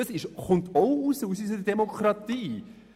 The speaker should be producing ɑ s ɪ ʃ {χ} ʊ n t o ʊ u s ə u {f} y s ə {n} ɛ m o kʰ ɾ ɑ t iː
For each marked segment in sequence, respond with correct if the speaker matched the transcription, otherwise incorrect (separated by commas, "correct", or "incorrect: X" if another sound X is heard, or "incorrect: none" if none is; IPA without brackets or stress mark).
correct, incorrect: s, incorrect: d